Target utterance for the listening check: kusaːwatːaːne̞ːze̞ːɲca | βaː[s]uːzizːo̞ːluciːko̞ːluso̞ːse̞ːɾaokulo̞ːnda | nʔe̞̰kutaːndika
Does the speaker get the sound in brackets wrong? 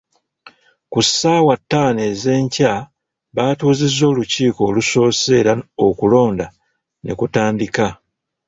yes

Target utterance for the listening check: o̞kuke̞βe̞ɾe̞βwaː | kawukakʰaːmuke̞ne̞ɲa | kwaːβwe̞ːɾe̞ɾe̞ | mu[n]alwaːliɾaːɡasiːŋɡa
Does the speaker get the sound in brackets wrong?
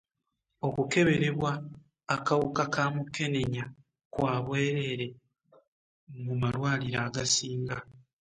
yes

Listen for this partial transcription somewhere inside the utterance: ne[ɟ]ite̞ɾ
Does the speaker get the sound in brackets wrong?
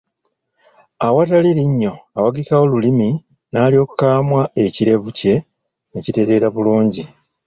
yes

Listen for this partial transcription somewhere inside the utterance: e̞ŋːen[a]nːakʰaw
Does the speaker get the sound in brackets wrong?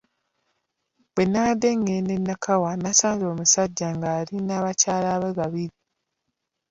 yes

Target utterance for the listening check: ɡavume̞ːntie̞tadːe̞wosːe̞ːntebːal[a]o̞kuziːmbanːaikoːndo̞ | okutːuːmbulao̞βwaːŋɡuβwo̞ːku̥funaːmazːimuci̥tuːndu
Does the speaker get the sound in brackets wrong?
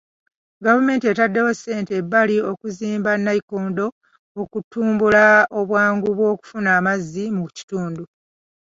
yes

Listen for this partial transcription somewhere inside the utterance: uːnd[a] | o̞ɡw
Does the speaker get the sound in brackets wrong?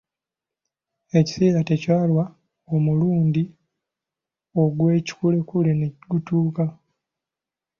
yes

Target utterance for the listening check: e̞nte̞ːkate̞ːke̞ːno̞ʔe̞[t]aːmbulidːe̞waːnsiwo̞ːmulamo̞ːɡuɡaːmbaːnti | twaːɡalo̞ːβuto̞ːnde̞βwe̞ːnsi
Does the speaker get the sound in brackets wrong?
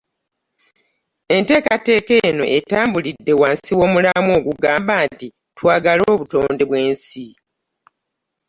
no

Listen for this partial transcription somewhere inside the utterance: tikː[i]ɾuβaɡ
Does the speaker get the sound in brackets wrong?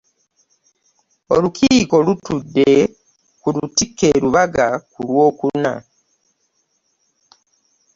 yes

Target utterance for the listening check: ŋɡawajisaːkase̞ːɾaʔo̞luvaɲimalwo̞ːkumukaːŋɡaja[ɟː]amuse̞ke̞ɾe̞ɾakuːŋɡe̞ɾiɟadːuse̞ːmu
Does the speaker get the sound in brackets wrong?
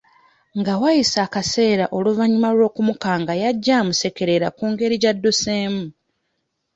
no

